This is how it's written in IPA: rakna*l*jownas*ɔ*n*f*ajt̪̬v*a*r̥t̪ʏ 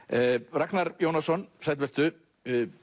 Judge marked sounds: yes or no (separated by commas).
no, yes, no, no